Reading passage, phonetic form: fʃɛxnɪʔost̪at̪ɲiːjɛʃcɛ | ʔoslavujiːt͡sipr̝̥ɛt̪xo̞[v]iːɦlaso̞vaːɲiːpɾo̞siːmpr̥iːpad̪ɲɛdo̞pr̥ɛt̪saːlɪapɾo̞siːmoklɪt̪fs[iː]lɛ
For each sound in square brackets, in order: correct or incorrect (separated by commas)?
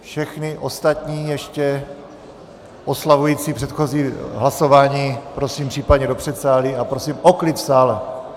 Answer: incorrect, incorrect